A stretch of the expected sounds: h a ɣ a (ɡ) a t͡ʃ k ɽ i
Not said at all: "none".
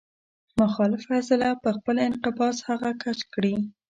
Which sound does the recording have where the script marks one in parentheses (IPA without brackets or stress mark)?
k